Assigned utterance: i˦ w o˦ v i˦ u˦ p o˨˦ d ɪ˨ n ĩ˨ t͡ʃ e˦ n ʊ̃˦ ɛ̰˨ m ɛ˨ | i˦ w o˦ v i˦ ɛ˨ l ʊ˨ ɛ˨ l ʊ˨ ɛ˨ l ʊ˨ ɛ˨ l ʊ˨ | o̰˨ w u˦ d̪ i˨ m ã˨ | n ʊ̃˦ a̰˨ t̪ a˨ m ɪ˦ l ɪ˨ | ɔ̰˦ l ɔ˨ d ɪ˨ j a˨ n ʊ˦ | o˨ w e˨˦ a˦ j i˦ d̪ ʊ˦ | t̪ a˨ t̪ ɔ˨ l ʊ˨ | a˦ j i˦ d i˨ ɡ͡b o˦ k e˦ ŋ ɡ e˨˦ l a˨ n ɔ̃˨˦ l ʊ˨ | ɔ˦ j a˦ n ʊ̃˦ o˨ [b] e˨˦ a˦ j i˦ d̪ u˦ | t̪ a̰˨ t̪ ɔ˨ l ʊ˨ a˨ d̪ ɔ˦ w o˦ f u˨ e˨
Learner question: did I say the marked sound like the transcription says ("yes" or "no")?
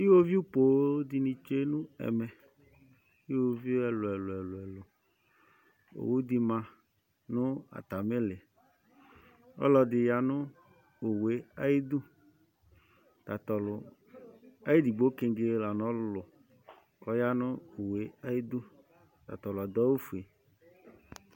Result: no